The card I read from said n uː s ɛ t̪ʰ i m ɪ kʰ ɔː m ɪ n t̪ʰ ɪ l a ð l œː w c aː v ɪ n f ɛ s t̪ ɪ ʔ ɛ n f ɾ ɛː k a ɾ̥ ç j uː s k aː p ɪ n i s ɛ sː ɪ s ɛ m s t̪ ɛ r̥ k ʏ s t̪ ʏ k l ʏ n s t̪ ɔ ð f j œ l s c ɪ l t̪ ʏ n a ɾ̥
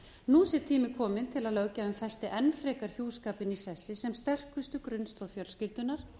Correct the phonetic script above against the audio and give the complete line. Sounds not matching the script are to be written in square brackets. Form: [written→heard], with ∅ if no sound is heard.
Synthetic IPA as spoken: n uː s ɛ t̪ʰ [i→iː] m ɪ kʰ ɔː m ɪ n t̪ʰ ɪ l a ð l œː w c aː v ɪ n f ɛ s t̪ ɪ ʔ ɛ n f ɾ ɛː k a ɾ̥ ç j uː s k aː p ɪ n i s ɛ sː ɪ s ɛ m s t̪ ɛ r̥ k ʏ s t̪ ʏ k [l→ɾ] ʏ n s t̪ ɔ ð f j œ l s c ɪ l t̪ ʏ n a ɾ̥